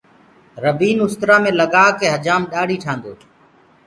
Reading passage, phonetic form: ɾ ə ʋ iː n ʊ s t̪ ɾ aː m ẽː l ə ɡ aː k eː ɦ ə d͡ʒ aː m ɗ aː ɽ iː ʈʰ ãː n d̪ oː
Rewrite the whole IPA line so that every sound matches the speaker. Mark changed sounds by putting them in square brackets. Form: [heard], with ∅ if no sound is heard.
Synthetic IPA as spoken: ɾ ə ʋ iː n ʊ s t̪ ɾ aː m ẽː l ə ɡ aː k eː ɦ ə d͡ʒ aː m ɗ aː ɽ iː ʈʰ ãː n d̪ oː